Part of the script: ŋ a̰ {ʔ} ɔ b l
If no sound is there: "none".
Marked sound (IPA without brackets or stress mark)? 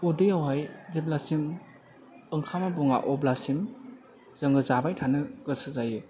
ʔ